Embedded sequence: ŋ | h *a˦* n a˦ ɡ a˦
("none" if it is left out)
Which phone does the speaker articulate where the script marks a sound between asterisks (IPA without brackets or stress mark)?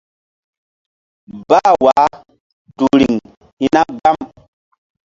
i˦